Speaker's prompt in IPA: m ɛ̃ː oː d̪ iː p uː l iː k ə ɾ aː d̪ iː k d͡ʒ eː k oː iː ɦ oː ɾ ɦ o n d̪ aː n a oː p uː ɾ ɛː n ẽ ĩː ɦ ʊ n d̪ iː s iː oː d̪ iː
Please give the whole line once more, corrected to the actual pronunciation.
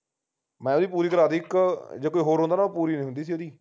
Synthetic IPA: m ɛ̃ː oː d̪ iː p uː ɾ iː k ə ɾ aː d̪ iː k d͡ʒ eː k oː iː ɦ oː ɾ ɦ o n d̪ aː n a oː p uː ɾ iː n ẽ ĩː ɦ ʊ n d̪ iː s iː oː d̪ iː